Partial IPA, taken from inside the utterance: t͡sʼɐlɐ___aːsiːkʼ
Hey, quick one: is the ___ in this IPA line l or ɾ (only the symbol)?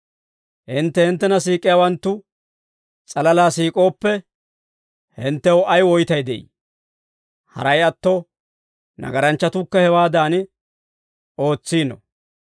l